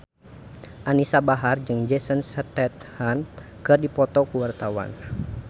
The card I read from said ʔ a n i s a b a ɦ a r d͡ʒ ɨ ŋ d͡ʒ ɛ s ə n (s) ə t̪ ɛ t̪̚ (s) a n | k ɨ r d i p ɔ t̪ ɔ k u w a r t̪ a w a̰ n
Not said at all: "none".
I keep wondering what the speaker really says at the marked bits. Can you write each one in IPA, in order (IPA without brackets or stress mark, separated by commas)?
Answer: s, h